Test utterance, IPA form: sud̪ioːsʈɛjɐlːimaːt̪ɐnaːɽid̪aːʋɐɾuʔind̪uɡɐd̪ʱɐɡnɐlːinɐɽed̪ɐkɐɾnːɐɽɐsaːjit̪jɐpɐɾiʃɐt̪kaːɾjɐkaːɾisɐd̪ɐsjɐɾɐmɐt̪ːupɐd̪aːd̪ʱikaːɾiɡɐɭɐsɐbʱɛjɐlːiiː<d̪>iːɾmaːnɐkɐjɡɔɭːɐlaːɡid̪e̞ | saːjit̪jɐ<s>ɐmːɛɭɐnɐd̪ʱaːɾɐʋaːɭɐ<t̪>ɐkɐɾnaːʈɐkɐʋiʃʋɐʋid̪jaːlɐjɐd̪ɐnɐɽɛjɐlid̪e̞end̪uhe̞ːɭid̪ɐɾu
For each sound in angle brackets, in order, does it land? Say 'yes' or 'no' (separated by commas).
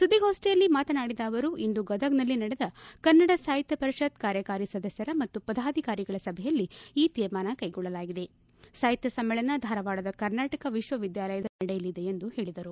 no, yes, no